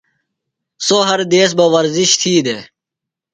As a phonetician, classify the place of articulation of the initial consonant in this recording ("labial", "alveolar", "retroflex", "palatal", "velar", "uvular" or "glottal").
alveolar